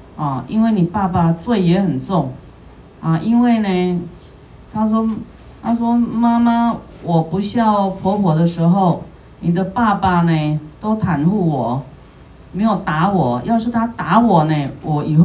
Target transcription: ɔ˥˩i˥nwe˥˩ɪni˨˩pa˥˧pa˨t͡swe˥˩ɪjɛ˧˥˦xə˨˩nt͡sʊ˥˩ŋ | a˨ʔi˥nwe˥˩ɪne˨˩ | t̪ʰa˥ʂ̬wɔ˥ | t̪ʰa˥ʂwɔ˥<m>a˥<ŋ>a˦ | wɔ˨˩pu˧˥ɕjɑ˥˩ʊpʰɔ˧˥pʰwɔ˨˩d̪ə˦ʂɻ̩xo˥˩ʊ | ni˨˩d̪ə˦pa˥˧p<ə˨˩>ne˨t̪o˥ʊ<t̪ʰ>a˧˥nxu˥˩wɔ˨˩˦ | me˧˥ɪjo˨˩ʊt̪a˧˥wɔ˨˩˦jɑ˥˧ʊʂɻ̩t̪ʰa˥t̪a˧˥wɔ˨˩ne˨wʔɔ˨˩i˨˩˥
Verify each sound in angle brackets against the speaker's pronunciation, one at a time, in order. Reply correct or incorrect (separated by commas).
correct, incorrect, incorrect, correct